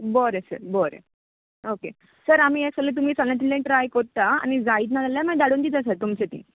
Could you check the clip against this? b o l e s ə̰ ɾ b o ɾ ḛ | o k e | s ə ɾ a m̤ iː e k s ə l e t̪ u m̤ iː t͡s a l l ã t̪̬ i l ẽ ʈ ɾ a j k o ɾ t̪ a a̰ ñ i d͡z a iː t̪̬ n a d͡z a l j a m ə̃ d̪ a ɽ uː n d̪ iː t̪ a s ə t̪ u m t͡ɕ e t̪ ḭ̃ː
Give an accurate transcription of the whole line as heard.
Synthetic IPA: b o ɾ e s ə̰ ɾ b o ɾ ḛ | o k e | s ə ɾ a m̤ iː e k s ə l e t̪ u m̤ iː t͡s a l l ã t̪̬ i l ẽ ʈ ɾ a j k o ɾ t̪ a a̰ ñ i d͡z a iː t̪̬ n a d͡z a l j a m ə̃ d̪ a ɽ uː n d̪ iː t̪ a s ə t̪ u m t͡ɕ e t̪ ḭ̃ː